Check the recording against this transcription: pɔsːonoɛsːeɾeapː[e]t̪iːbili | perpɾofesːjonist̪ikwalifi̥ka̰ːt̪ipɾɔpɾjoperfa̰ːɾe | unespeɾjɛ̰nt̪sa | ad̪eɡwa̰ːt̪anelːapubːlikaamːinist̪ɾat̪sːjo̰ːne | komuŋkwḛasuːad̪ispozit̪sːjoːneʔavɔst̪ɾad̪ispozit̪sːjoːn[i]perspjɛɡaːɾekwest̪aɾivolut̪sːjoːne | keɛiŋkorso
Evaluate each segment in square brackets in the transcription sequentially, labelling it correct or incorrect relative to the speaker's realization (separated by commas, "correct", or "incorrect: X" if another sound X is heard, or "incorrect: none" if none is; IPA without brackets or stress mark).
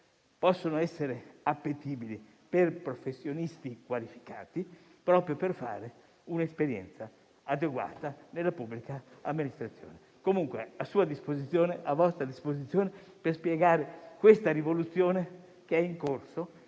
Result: correct, incorrect: e